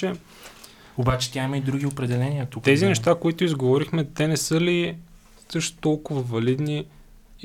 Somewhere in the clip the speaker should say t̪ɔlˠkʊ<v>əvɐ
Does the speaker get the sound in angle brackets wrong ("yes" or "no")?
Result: no